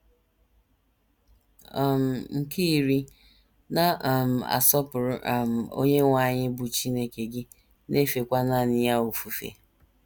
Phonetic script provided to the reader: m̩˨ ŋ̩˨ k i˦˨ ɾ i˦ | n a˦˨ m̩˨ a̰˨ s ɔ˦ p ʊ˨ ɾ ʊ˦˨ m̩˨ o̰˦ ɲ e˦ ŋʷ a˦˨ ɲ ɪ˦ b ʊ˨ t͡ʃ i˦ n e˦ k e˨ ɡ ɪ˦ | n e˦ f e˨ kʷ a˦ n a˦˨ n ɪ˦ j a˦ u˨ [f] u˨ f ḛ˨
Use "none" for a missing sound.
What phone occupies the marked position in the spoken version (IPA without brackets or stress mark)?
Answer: f